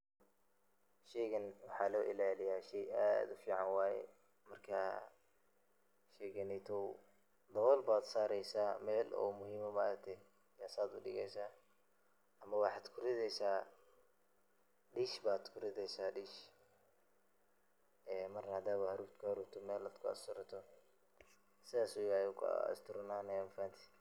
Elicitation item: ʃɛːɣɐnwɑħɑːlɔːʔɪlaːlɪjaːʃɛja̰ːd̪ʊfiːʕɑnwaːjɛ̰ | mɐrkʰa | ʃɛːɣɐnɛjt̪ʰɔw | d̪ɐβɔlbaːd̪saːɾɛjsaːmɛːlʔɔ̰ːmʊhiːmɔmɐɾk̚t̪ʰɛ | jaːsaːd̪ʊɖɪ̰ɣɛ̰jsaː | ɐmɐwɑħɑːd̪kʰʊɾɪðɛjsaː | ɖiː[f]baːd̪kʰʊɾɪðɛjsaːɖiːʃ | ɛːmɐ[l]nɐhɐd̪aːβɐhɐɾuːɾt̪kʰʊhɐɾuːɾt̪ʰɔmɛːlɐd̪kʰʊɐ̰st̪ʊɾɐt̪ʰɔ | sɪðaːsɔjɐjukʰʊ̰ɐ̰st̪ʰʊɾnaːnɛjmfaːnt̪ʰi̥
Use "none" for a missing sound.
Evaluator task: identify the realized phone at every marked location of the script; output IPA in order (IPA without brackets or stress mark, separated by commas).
ʃ, r